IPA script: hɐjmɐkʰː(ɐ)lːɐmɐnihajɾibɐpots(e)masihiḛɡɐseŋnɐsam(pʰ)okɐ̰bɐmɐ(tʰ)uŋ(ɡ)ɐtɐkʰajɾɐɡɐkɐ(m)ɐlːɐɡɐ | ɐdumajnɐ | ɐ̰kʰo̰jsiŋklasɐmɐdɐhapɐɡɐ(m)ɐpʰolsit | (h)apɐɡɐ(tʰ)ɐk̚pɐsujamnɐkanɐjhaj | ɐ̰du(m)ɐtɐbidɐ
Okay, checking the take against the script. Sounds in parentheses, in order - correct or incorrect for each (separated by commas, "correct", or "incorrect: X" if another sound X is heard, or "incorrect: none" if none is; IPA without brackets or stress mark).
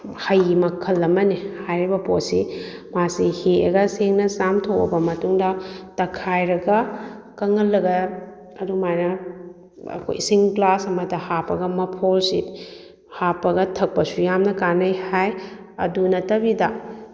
correct, incorrect: i, incorrect: tʰ, incorrect: t, incorrect: d, incorrect: ŋ, correct, correct, correct, incorrect: n